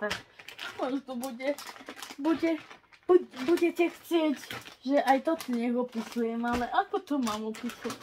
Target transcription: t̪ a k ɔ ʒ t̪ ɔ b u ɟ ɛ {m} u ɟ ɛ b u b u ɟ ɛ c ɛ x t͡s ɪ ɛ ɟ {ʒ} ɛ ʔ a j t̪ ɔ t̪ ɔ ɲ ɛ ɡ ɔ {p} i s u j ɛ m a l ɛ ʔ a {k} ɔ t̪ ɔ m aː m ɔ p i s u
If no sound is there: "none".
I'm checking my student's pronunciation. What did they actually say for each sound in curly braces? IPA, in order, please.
b, ʒ, p, k

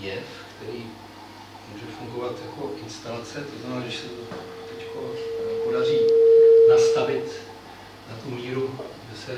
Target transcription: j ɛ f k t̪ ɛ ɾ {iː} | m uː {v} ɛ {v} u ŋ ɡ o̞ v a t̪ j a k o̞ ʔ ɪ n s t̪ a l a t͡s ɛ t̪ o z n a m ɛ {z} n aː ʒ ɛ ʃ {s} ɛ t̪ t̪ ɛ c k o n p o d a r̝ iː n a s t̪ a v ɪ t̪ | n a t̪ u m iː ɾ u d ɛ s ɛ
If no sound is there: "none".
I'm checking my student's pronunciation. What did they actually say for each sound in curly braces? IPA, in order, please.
iː, ʒ, f, none, s

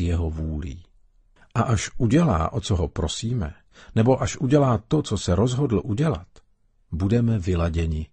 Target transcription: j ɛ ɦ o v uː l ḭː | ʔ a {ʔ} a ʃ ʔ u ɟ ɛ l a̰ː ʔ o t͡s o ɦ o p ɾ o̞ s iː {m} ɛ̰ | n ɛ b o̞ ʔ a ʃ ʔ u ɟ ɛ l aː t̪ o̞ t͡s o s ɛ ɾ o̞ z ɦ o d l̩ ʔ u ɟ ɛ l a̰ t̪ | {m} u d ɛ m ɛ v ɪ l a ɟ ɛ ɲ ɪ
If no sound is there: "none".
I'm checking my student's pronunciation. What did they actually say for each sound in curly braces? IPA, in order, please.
ʔ, m, b

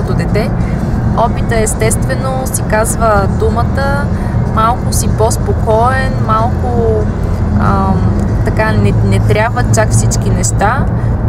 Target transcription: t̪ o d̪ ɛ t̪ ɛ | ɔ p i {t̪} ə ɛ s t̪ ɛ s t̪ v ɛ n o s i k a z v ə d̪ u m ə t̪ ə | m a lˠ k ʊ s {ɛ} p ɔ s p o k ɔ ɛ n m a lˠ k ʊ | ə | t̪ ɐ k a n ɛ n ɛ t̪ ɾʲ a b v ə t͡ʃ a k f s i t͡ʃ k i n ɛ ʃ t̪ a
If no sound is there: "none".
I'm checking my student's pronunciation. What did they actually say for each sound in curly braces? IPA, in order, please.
t̪, i

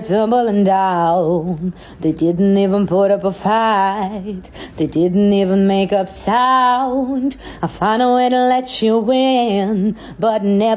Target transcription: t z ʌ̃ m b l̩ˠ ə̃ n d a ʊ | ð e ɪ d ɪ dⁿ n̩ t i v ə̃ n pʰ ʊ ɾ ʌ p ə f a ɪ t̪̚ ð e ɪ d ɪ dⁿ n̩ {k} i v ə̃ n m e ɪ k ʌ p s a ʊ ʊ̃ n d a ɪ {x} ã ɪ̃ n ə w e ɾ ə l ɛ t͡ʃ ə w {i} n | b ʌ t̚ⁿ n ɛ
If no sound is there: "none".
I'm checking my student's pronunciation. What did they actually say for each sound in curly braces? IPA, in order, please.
t, f, ɪ

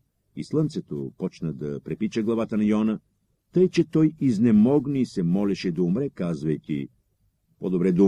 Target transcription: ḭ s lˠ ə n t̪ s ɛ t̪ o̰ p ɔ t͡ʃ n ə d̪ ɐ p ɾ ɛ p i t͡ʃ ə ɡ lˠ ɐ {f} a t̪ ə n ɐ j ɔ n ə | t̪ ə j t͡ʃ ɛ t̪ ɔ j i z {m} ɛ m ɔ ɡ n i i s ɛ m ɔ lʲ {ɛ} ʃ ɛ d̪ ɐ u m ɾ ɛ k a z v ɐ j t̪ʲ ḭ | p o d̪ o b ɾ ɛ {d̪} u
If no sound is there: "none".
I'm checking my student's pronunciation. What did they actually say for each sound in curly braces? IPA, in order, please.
v, n, ɛ, d̪

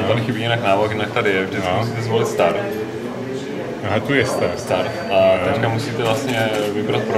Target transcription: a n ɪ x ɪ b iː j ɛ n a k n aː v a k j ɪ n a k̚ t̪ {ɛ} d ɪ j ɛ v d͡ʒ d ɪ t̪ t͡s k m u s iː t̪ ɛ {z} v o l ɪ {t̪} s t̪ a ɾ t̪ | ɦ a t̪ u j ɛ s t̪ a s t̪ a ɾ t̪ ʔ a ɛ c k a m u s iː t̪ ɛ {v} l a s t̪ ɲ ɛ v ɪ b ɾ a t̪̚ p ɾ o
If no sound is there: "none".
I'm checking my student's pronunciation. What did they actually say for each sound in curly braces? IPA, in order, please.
a, z, t̪, v

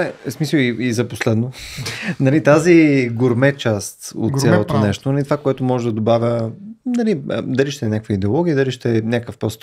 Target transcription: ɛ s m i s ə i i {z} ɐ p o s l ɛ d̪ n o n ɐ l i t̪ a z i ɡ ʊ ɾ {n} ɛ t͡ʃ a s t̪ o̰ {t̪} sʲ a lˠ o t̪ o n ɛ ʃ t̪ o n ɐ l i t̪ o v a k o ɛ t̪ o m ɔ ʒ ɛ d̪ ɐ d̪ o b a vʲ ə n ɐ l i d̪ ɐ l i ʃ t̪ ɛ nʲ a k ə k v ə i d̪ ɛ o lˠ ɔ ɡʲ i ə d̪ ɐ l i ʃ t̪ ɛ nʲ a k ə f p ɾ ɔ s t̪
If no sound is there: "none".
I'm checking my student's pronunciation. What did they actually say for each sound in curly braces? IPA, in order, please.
z, m, t̪

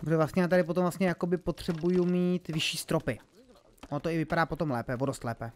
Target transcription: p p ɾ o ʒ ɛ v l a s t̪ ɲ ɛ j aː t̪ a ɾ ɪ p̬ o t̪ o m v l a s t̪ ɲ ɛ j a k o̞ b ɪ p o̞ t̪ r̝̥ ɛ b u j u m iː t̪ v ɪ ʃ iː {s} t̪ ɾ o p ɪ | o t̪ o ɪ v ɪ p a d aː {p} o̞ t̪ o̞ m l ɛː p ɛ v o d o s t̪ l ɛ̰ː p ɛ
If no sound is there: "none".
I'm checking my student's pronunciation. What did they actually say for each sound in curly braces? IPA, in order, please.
s, p

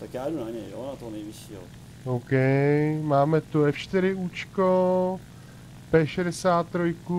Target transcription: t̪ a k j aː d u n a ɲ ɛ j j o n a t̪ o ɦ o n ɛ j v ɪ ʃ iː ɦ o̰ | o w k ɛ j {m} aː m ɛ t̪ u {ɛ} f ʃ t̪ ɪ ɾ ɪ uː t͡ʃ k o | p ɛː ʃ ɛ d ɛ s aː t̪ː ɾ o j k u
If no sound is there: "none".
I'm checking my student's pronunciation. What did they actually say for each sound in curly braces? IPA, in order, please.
m, ɛ

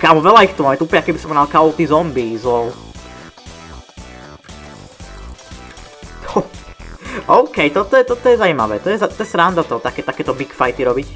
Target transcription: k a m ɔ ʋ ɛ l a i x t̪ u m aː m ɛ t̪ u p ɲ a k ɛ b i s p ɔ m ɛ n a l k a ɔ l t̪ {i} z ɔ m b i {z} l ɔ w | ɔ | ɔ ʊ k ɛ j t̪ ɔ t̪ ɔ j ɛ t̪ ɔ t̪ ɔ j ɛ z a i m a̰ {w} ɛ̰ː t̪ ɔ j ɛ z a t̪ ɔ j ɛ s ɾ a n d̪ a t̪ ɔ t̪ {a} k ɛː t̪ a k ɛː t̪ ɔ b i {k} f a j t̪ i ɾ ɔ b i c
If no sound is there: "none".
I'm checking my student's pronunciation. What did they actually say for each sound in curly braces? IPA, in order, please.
i, z, ʋ, a, k

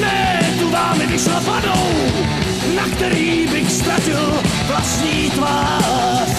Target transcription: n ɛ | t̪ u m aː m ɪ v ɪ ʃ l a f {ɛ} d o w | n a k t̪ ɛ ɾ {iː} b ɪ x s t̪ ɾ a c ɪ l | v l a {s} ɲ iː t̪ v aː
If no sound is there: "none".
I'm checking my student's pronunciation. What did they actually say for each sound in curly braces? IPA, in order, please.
a, iː, s

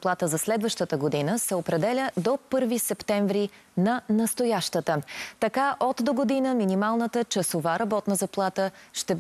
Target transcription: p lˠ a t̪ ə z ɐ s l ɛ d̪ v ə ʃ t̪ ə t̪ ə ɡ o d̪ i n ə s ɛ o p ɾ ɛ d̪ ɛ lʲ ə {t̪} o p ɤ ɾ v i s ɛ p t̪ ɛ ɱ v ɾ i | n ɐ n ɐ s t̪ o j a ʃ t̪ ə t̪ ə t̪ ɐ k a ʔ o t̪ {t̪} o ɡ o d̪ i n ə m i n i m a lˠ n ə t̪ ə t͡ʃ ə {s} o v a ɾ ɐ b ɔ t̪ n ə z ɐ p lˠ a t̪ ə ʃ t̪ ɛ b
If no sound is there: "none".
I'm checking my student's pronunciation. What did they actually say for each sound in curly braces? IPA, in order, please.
d̪, d̪, s

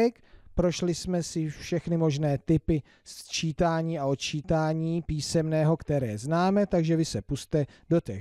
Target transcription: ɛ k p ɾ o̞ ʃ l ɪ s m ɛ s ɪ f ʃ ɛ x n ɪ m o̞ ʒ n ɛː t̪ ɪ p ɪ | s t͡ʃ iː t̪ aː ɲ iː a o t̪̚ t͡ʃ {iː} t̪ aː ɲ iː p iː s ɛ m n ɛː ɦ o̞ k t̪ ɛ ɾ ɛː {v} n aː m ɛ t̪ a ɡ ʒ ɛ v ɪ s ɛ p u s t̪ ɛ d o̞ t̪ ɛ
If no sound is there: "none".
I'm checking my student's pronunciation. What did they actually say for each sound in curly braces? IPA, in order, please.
iː, z

